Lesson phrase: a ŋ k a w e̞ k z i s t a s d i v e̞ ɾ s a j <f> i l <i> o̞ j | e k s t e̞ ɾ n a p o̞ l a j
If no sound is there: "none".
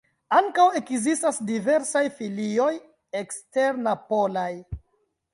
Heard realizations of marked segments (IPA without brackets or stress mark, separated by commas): f, i